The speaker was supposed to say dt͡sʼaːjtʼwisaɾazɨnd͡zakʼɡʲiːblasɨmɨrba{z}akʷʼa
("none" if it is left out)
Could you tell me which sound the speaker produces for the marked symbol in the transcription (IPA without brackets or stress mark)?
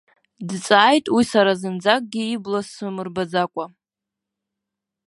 d͡z